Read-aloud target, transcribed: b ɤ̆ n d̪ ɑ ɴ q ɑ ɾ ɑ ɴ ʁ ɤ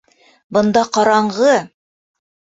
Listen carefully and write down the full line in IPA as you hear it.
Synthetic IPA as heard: b ɤ̆ n d̪ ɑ q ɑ ɾ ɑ ɴ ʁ ɤ